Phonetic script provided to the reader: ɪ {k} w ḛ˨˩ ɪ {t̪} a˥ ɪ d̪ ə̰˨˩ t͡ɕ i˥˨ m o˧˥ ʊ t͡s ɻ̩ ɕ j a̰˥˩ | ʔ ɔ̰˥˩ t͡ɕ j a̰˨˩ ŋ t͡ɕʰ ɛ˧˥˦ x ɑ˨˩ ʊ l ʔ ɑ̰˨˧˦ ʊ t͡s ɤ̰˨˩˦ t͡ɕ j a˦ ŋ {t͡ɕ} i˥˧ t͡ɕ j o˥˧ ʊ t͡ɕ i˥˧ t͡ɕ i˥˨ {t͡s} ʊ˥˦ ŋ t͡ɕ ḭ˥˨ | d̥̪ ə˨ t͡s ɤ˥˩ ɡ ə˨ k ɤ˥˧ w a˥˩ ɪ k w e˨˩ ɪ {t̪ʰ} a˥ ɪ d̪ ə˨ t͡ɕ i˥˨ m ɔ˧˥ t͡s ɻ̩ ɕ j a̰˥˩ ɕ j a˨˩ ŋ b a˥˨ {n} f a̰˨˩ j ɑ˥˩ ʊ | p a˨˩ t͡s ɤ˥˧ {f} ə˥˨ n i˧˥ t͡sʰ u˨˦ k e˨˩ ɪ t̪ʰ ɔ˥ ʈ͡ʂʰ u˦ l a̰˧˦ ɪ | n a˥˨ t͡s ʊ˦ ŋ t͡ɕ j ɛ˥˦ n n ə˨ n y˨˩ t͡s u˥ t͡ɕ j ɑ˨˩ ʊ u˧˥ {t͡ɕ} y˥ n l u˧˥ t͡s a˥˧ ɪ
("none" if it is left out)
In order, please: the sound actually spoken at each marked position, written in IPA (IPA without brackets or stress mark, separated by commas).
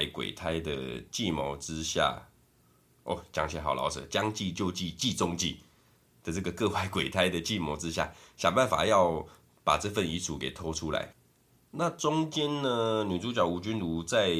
k, t̪ʰ, t͡ɕ, t͡s, t̪ʰ, n, f, t͡ɕ